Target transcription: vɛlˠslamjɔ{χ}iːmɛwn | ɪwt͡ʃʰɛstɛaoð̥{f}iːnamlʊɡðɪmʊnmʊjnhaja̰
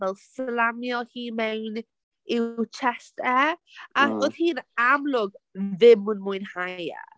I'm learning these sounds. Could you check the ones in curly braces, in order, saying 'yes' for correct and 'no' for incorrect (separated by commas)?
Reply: no, no